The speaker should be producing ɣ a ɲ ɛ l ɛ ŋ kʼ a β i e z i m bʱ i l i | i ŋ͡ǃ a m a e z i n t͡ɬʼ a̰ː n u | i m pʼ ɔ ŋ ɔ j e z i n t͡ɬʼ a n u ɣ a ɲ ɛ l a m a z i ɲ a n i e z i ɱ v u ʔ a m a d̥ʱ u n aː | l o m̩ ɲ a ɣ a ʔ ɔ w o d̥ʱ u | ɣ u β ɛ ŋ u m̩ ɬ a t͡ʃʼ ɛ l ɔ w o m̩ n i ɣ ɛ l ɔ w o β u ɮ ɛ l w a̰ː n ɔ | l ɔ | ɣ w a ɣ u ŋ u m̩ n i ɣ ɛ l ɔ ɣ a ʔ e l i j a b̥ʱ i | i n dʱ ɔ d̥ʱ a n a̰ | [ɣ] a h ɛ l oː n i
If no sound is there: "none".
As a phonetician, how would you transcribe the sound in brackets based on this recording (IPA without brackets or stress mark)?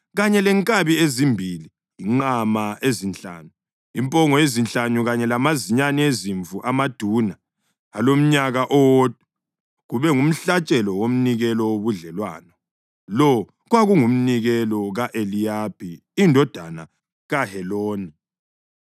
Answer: ɣ